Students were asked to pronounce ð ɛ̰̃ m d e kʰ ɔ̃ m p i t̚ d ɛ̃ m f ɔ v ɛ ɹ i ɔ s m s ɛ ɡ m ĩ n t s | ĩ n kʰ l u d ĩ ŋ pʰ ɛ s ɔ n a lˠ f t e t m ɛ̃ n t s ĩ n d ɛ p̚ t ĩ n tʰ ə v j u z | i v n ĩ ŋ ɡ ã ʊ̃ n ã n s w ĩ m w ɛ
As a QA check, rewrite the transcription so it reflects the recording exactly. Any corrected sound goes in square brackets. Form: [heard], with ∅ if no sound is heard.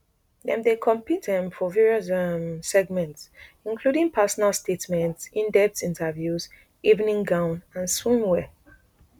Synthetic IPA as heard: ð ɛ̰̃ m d e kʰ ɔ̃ m p i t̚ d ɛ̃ m f ɔ v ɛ ɹ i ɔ s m s ɛ ɡ m [ɛ̃] n t s | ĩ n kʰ l u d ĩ ŋ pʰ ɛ s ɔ n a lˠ [s] t e t m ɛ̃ n t s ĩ n d ɛ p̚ t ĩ n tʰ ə v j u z | i v n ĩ ŋ ɡ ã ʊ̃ n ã n s w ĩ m w ɛ